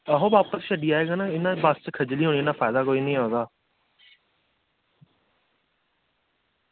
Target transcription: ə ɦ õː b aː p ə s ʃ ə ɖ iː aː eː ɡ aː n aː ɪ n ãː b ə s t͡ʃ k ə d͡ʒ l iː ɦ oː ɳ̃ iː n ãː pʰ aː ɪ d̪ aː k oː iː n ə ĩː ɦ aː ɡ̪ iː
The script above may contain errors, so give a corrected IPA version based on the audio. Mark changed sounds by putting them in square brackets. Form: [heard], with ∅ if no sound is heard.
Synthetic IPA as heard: ə ɦ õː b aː p ə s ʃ ə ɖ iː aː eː ɡ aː n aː ɪ n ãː b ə s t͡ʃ [kʰ] ə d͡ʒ l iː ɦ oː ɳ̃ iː n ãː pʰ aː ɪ d̪ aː k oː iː n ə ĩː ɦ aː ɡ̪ [aː]

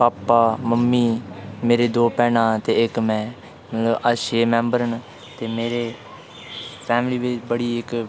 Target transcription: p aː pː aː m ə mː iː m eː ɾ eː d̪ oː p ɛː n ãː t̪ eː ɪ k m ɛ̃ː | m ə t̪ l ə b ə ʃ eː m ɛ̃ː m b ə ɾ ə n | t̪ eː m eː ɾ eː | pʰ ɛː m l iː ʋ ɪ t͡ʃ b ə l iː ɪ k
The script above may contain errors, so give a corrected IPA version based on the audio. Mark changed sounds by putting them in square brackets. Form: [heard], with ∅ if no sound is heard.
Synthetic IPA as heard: p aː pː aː m ə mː iː m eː ɾ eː d̪ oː p ɛː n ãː t̪ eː ɪ k m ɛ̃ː | m ə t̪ l ə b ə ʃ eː m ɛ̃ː m b ə ɾ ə n | t̪ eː m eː ɾ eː | pʰ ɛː m l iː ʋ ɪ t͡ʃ b ə [ɽ] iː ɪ k

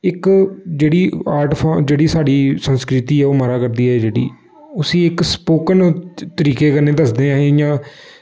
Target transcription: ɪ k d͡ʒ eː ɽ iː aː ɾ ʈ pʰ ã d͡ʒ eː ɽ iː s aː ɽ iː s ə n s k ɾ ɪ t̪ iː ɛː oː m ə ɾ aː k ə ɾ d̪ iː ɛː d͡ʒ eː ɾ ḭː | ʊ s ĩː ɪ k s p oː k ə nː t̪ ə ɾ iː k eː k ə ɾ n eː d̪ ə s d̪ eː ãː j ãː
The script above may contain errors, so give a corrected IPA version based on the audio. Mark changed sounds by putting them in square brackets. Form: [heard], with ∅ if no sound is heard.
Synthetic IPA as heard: ɪ k d͡ʒ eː ɽ iː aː ɾ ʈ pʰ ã d͡ʒ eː ɽ iː s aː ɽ iː s ə n s k ɾ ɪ t̪ iː ɛː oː m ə ɾ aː k ə ɾ d̪ iː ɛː d͡ʒ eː [ɽ] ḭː | ʊ s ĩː ɪ k s p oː k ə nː t̪ ə ɾ iː k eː k ə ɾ n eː d̪ ə s d̪ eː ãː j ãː

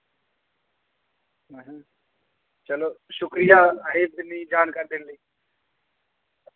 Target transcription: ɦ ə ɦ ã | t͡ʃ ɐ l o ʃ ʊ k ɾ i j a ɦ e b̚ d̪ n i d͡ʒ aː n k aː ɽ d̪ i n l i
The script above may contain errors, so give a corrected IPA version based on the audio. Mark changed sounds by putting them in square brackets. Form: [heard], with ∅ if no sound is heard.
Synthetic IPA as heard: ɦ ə ɦ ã | t͡ʃ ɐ l o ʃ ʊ k ɾ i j a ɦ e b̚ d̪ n i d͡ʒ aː n k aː [ɾ] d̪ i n l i

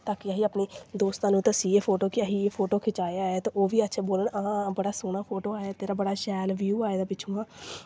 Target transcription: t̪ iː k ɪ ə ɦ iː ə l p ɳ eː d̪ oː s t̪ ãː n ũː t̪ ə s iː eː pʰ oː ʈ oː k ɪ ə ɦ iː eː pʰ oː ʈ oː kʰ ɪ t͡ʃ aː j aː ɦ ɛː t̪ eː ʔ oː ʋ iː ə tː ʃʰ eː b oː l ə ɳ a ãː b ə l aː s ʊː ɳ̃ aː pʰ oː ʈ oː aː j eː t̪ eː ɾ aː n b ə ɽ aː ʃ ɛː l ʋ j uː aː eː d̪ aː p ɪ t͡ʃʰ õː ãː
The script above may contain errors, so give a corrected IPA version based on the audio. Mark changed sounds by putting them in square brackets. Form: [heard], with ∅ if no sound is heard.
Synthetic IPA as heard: t̪ [aː] k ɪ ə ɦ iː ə [∅] p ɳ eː d̪ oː s t̪ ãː n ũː t̪ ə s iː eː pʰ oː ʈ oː k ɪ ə ɦ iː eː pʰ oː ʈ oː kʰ ɪ t͡ʃ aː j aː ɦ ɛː t̪ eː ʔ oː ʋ iː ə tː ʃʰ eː b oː l ə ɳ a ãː b ə [ɽ] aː s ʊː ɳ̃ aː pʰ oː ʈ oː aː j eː t̪ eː ɾ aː [∅] b ə ɽ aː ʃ ɛː l ʋ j uː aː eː d̪ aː p ɪ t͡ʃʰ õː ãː

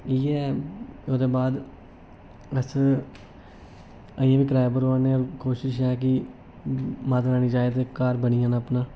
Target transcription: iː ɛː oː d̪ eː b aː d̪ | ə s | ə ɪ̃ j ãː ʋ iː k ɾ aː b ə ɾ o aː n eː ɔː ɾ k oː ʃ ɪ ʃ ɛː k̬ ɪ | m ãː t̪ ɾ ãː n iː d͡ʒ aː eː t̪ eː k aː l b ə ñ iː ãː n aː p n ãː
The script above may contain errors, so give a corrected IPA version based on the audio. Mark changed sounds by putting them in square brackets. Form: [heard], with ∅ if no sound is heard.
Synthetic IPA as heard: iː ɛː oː d̪ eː b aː d̪ | ə s | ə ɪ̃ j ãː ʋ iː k ɾ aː b ə ɾ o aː n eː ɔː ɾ k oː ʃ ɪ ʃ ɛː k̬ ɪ | m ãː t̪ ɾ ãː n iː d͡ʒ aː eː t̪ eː k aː [ɾ] b ə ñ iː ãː n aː p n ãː

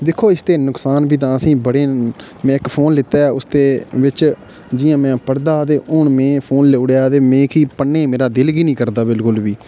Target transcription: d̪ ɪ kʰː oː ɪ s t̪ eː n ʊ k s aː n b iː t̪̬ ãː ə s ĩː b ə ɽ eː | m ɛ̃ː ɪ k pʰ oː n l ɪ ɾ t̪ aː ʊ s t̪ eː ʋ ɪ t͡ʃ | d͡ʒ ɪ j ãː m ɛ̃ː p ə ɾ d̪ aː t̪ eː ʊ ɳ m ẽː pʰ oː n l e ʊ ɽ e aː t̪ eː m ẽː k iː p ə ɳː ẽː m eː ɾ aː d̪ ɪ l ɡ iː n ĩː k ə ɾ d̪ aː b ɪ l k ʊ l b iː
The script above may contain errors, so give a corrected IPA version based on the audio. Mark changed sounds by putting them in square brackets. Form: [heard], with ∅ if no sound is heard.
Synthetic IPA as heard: d̪ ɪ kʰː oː ɪ s t̪ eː n ʊ k s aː n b iː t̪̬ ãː ə s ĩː b ə ɽ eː | m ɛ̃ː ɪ k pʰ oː n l ɪ [∅] t̪ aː ʊ s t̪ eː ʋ ɪ t͡ʃ | d͡ʒ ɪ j ãː m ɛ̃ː p ə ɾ d̪ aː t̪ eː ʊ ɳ m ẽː pʰ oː n l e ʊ ɽ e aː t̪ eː m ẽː k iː p ə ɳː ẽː m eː ɾ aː d̪ ɪ l ɡ iː n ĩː k ə ɾ d̪ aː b ɪ l k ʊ l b iː

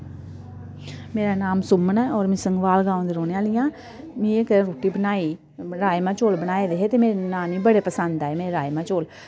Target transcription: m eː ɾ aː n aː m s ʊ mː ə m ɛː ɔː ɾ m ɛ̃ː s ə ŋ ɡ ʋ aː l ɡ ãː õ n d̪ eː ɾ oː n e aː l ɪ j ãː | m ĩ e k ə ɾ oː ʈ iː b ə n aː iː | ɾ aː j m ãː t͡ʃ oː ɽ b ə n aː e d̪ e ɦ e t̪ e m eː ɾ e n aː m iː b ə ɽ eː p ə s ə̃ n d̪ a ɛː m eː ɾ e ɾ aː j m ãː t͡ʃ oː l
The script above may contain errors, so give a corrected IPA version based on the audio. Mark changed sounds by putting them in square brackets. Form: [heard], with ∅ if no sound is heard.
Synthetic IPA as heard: m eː ɾ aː n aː m s ʊ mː ə [n] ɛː ɔː ɾ m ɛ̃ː s ə ŋ ɡ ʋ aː l ɡ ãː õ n d̪ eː ɾ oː n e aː l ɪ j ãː | m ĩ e k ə ɾ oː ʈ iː b ə n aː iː | ɾ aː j m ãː t͡ʃ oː [l] b ə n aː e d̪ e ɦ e t̪ e m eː ɾ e n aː m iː b ə ɽ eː p ə s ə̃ n d̪ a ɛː m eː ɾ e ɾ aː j m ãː t͡ʃ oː l

